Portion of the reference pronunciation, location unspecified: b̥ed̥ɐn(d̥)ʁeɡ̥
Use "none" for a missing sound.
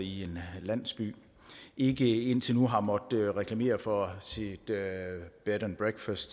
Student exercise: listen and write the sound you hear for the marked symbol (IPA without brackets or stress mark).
b̥